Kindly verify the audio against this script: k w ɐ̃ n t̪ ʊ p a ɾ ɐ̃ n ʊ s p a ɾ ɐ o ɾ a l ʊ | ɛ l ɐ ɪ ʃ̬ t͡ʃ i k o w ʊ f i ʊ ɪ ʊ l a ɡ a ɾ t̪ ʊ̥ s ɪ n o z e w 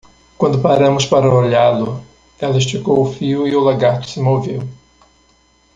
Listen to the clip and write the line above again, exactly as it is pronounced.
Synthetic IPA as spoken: k w ɐ̃ n d̪ ʊ p a ɾ ɐ̃ m ʊ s p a ɾ ɐ o ʎ a l ʊ | ɛ l ɐ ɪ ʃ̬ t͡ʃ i k o w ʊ f i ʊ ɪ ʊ l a ɡ a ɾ t̪ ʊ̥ s ɪ m o v e w